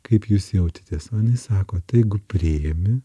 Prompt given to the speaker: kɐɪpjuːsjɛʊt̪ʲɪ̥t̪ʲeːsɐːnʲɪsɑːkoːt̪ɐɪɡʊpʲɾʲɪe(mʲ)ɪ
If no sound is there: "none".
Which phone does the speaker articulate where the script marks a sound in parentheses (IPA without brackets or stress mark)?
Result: mʲ